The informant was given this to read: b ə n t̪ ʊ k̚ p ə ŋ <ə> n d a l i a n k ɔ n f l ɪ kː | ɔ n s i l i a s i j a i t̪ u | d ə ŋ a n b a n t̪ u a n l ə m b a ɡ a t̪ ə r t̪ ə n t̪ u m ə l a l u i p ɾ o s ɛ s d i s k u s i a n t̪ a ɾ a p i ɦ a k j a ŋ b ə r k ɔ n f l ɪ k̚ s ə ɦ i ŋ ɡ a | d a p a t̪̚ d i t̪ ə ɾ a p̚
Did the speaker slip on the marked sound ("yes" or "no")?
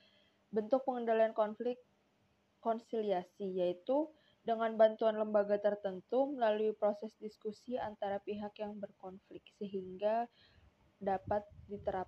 no